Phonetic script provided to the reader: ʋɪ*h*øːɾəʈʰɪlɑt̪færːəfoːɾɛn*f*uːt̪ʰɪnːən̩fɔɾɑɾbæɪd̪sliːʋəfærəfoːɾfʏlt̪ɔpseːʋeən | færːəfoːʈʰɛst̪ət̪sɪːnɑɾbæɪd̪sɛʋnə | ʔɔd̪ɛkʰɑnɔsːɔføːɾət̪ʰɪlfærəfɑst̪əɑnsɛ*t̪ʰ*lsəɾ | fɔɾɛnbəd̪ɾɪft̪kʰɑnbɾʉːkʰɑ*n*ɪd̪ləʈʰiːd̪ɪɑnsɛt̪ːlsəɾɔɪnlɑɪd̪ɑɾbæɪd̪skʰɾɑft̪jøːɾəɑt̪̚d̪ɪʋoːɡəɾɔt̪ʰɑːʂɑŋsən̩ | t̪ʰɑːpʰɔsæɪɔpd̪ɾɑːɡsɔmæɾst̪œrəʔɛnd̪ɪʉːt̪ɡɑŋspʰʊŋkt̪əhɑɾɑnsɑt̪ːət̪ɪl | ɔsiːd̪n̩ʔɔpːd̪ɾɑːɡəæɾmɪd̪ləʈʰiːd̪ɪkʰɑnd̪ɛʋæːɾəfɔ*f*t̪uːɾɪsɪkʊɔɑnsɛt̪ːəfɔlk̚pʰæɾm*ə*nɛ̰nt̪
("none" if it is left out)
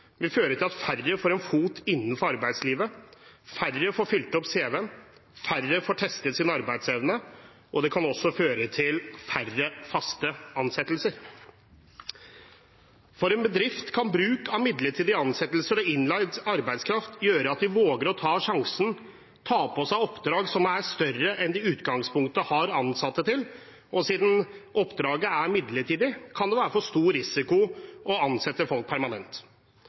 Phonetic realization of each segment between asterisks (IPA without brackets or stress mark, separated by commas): f, f, t̪, m, ʂ, ɑ